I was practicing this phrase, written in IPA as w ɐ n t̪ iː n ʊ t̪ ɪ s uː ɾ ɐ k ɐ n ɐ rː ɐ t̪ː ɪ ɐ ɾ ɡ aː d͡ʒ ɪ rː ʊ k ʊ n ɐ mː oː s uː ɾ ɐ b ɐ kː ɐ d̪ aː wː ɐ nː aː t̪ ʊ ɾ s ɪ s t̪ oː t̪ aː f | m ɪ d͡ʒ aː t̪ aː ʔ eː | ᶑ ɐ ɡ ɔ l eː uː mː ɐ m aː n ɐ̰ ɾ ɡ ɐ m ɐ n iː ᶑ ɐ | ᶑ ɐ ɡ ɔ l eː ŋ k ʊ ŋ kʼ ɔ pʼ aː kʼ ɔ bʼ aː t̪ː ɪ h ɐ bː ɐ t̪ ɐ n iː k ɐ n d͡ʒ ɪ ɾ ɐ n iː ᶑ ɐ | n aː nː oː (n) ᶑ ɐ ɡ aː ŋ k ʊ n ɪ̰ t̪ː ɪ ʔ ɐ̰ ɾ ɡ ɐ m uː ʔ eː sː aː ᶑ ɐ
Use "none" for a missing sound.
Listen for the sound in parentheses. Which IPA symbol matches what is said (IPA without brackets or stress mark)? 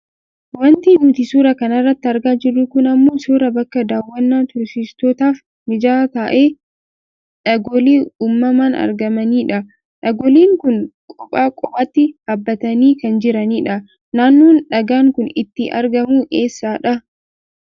n